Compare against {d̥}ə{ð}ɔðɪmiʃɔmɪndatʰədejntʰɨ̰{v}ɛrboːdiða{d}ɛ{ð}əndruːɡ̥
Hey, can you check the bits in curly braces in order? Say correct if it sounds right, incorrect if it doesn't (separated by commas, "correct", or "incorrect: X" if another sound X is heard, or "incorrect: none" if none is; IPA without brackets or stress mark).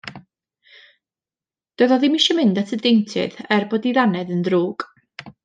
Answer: correct, correct, incorrect: ð, incorrect: n, correct